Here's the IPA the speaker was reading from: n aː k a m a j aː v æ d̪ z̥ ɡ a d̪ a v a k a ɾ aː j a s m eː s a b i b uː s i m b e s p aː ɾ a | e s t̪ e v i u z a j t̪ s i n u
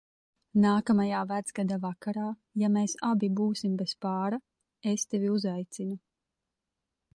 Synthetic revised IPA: n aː k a m a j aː v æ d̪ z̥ ɡ a d̪ a v a k a ɾ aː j a m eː s a b i b uː s i m b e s p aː ɾ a | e s t̪ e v i u z a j t̪ s i n u

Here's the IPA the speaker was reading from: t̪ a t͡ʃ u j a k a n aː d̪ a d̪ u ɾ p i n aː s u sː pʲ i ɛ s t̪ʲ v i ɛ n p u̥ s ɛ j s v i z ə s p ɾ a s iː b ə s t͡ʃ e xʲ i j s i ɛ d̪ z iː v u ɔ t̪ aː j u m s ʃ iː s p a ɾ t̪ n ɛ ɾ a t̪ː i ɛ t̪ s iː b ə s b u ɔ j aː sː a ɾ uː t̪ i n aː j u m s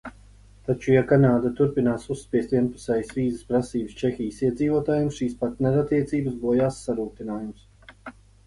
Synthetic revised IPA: t̪ a t͡ʃ u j a k a n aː d̪ a t̪ u ɾ p i n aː s u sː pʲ i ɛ s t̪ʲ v i ɛ n p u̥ s ɛ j s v iː z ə s p ɾ a s iː b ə s t͡ʃ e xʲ i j s i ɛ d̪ z iː v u ɔ t̪ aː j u m s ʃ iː s p a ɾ t̪ n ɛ ɾ a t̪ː i ɛ t̪ s iː b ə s b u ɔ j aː sː a ɾ uː t̪ i n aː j u m s

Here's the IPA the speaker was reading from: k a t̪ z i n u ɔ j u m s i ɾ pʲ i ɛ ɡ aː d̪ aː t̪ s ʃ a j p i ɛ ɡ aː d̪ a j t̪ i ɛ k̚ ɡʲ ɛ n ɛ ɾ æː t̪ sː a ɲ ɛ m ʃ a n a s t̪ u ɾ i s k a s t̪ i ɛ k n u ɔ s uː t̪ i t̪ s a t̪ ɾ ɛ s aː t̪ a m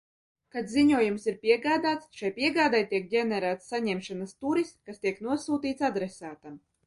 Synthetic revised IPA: k a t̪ z i ɲ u ɔ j u m s i ɾ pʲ i ɛ ɡ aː d̪ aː t̪ s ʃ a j p i ɛ ɡ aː d̪ a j t̪ i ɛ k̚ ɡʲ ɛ n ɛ ɾ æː t̪ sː a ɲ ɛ m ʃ a n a s t̪ u ɾ i s k a s t̪ i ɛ k n u ɔ s uː t̪ iː t̪ s a d̪ ɾ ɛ s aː t̪ a m

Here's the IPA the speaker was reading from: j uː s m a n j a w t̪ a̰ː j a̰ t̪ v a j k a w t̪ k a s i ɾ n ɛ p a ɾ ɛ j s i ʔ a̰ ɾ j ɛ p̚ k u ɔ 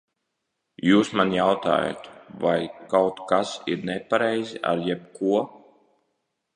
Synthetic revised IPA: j uː s m a n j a w t̪ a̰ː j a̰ t̪ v a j k a w t̪ k a s i ɾ n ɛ p a ɾ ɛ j z i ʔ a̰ ɾ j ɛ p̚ k u ɔ

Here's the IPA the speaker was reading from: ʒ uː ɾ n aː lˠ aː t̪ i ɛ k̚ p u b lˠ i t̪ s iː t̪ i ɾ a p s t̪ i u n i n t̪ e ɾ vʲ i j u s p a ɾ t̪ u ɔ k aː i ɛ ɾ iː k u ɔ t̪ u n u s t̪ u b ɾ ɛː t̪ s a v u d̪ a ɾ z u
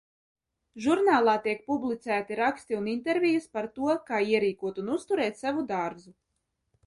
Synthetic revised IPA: ʒ u ɾ n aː lˠ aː t̪ i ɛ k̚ p u b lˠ i t̪ s æː t̪ i ɾ a k s t̪ i u n i n t̪ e ɾ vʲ i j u s p a ɾ t̪ u ɔ k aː i ɛ ɾ iː k u ɔ t̪ u n u s t̪ u ɾ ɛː t̪ s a v u d̪ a ɾ z u

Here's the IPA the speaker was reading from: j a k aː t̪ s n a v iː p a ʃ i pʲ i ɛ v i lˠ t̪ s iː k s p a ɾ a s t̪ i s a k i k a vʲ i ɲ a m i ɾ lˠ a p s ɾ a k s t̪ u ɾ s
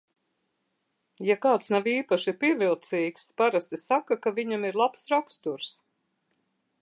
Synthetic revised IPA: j a k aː t̪ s n a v iː p a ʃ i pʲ i ɛ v i lˠ t̪ s iː k s p a ɾ a s t̪ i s a k a k a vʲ i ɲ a m i ɾ lˠ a p s ɾ a k s t̪ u ɾ s

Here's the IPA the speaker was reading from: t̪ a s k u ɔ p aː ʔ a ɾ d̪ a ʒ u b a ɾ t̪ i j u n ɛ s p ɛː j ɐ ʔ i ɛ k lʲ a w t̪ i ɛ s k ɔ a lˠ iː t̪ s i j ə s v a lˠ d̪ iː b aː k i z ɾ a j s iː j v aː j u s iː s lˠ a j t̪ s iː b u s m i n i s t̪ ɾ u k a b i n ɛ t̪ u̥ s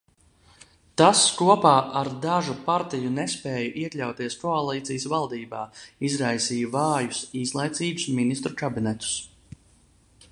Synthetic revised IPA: t̪ a s k u ɔ p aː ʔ a ɾ d̪ a ʒ u p a ɾ t̪ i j u n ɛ s p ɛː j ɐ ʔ i ɛ k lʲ a w t̪ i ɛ s k ɔ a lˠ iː t̪ s i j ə s v a lˠ d̪ iː b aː i z ɾ a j s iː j v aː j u s iː s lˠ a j t̪ s iː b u s m i n i s t̪ ɾ u k a b i n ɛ t̪ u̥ s

